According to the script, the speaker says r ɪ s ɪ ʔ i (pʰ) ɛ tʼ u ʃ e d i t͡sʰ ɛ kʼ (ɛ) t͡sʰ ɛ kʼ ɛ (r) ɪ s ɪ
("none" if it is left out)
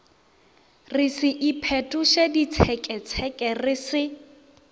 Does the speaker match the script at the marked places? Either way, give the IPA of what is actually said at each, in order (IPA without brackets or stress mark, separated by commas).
pʰ, ɛ, r